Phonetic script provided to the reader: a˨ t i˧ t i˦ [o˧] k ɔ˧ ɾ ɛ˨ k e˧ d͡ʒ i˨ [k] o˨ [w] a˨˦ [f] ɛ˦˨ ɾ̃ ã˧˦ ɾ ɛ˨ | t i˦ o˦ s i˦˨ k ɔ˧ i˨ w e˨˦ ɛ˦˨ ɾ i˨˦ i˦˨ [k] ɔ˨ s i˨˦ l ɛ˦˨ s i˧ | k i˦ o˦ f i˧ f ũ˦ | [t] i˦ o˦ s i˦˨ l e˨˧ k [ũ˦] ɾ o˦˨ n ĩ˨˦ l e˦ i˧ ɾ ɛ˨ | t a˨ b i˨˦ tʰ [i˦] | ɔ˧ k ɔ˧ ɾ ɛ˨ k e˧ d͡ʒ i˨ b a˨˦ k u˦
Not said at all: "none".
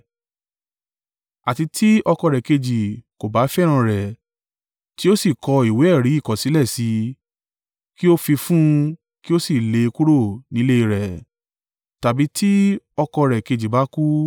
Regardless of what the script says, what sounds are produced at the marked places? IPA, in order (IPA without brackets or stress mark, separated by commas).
ɔ˧, k, b, f, k, k, u˦, i˦